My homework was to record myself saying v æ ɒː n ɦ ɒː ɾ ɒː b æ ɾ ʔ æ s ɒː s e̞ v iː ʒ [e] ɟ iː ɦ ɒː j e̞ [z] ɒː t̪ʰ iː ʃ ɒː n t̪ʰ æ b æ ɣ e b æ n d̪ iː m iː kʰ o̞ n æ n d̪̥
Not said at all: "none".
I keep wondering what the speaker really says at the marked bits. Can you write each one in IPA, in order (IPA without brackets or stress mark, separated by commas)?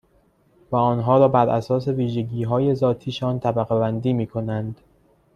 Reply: e, z